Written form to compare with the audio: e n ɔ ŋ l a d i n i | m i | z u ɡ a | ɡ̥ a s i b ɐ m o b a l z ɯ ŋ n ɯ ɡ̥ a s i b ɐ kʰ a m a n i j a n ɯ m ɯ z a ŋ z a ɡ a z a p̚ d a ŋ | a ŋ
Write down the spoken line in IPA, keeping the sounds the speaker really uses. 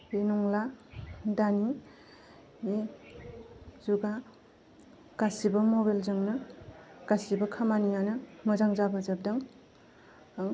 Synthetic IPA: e n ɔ ŋ l a d a n i | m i | z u ɡ a | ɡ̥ a s i b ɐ m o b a l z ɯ ŋ n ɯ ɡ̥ a s i b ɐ kʰ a m a n i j a n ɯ m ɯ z a ŋ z a b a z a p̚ d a ŋ | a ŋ